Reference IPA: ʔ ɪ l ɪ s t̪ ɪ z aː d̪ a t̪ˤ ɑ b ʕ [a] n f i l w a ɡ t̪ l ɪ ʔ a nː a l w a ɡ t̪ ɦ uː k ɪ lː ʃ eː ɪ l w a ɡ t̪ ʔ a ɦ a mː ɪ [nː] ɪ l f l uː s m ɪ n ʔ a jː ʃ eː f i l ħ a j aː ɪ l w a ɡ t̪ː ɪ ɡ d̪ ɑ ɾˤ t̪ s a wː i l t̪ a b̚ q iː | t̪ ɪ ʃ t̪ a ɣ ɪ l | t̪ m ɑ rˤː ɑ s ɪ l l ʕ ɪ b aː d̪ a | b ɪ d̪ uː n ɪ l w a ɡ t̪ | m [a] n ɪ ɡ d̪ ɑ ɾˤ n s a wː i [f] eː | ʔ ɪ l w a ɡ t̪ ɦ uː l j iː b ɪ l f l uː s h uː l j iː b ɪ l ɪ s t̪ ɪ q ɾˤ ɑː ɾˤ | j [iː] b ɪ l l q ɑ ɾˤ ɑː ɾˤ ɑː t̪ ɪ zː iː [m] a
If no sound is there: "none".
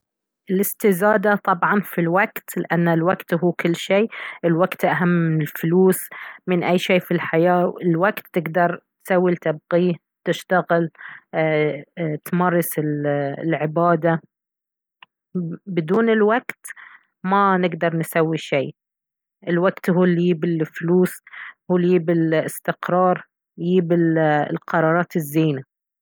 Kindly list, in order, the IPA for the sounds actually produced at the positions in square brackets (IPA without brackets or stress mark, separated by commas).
ɑ, n, a, ʃ, iː, n